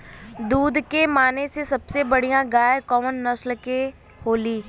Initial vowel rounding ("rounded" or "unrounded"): rounded